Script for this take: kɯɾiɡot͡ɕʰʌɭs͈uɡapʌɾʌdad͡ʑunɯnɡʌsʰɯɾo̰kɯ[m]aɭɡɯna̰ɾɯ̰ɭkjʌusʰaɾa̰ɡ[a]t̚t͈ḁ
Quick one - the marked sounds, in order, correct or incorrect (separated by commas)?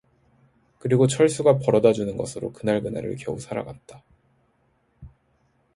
incorrect, correct